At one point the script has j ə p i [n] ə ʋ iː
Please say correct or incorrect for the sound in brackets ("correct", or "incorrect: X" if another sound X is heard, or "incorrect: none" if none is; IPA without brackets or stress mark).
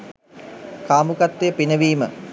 correct